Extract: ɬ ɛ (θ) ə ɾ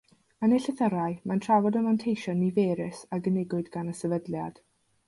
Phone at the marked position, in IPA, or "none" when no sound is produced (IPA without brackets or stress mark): θ